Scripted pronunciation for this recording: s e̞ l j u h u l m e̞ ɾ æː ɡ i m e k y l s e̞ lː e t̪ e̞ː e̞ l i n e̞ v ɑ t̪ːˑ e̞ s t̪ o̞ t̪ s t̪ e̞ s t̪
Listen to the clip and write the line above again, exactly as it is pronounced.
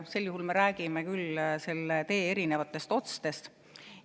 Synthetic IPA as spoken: s e̞ l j u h u l m e̞ ɾ æː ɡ i m e k y l s e̞ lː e t̪ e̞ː e̞ ɾ i n e̞ v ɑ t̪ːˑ e̞ s t̪ o̞ t̪ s t̪ e̞ s t̪